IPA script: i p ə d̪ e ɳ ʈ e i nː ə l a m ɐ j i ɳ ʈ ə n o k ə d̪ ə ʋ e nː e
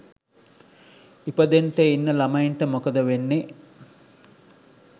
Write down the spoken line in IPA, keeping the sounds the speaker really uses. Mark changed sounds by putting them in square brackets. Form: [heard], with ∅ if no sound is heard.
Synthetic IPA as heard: i p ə d̪ e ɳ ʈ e i nː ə l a m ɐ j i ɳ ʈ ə [m] o k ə d̪ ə ʋ e nː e